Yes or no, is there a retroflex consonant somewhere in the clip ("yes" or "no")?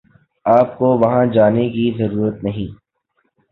no